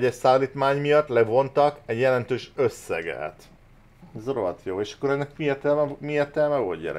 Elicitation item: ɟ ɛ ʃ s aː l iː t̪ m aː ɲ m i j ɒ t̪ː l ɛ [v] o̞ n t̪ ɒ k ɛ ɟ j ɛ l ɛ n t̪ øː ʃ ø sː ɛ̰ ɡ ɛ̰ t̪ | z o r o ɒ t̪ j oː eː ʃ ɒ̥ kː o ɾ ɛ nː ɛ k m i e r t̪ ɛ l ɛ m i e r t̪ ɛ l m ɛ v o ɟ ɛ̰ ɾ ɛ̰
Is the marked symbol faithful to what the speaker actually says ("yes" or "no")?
yes